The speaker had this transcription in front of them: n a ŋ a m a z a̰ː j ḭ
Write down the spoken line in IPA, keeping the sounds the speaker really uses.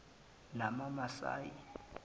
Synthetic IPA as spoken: n a m a m a s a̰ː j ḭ